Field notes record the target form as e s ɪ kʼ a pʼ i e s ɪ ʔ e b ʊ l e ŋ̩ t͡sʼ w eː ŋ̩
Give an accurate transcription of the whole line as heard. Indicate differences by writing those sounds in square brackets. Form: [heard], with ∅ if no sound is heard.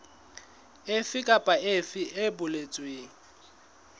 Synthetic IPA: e [f] ɪ kʼ a pʼ [a] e [f] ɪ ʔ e b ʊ l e [∅] t͡sʼ w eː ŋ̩